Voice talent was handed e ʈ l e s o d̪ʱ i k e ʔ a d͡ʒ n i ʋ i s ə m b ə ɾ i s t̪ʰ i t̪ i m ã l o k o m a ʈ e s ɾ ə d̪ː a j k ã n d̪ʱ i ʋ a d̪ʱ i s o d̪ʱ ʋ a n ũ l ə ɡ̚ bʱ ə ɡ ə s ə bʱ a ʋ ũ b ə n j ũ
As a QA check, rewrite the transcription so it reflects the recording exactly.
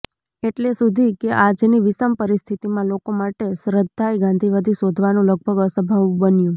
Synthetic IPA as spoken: e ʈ l e s u d̪ʱ i k e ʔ a d͡ʒ n i ʋ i s ə m p ə ɾ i s t̪ʰ i t̪ i m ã l o k o m a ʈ e s ɾ ə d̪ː a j ɡ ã n d̪ʱ i ʋ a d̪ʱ i s o d̪ʱ ʋ a n ũ l ə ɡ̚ bʱ ə ɡ ə s ə bʱ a ʋ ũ b ə n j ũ